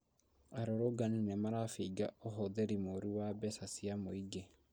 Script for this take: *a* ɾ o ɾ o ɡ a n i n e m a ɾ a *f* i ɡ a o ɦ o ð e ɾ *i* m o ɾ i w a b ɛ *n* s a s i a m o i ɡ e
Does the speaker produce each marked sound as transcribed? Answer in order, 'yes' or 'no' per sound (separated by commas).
yes, yes, yes, no